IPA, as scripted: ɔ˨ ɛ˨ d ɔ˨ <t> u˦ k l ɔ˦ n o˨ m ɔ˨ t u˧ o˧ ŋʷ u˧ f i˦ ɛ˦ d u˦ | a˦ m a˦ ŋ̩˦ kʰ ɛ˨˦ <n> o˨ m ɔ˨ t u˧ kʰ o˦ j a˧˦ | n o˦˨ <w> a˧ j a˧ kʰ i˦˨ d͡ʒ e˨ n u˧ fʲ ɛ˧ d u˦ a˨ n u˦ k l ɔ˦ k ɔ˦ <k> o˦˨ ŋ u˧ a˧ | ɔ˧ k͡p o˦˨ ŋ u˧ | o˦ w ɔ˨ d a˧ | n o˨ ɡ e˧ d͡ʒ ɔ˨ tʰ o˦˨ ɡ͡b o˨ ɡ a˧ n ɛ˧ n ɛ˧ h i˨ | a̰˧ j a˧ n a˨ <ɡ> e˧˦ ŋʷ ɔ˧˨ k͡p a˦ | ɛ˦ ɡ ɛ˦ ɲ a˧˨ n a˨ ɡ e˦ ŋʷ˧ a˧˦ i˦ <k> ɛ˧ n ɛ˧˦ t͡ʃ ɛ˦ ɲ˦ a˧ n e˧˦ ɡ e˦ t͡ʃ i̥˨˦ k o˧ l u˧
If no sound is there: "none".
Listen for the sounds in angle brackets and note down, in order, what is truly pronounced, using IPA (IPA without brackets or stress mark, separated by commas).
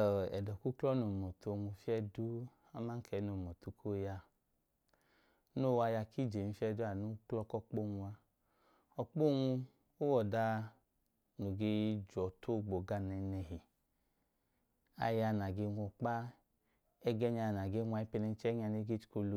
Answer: k, n, w, k͡p, ɡ, p